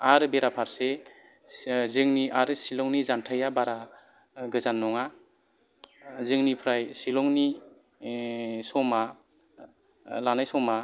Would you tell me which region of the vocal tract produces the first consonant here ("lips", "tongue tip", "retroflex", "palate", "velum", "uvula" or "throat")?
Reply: tongue tip